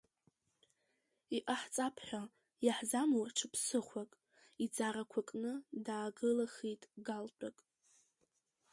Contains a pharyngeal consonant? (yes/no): yes